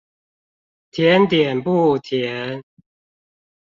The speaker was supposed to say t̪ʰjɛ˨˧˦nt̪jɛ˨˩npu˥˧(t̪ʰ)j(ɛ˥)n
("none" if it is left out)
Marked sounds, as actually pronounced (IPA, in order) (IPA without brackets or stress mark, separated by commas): t̪ʰ, ɛ˨˦